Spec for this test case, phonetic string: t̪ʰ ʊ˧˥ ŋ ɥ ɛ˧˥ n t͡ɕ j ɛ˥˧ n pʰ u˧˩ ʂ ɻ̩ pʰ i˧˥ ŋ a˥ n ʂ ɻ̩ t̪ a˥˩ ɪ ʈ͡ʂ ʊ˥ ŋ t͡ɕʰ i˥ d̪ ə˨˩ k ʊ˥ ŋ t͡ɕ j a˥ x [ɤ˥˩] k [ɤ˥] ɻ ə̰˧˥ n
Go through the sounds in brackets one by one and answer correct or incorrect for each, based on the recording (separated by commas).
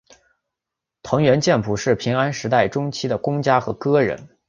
incorrect, correct